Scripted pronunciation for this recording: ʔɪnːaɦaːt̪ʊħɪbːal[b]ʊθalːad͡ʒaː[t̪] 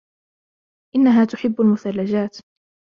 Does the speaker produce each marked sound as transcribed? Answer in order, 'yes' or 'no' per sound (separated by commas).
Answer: no, yes